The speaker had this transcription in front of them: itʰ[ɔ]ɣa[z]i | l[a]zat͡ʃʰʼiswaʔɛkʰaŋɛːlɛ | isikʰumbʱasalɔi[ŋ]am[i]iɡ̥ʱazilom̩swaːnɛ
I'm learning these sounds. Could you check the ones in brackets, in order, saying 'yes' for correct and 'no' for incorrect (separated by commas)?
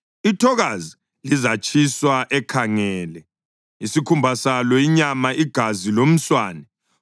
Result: yes, yes, no, no, no